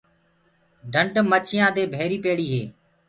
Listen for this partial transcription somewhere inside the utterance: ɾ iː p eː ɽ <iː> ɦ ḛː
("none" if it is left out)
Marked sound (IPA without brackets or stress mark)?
iː